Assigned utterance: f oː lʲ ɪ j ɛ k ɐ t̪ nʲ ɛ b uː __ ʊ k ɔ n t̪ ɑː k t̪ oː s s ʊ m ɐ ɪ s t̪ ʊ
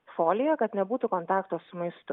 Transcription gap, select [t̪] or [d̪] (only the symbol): t̪